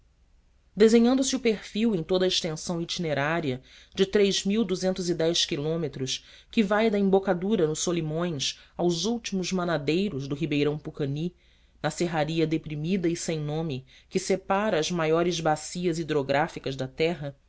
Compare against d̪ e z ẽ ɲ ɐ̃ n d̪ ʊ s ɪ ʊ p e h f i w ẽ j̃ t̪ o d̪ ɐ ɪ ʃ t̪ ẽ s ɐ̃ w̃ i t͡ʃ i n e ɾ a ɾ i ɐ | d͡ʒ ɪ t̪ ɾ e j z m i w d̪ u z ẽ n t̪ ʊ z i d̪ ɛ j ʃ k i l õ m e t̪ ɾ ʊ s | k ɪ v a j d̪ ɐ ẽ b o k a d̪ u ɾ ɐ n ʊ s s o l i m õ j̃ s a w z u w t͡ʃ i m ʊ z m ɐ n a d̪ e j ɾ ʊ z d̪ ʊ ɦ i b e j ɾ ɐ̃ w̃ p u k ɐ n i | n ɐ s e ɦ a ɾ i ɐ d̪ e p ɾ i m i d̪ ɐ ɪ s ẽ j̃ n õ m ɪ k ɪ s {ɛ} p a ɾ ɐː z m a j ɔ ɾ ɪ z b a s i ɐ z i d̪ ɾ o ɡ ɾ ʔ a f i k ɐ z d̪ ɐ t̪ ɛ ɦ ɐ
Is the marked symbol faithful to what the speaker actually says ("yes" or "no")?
no